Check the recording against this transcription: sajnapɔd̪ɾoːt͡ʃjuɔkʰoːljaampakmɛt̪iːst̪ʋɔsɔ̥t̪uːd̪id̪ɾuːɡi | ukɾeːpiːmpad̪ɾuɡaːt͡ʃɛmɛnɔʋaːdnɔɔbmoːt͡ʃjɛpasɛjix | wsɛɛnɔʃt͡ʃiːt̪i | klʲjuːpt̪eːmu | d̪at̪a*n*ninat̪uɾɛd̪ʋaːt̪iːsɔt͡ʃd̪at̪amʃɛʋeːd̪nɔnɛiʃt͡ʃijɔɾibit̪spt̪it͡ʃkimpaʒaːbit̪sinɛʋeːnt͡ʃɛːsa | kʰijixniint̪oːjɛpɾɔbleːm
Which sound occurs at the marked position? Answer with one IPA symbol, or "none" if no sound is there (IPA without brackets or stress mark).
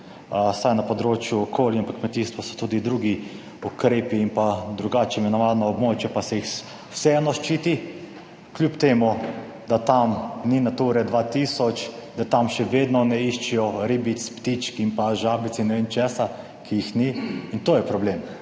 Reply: m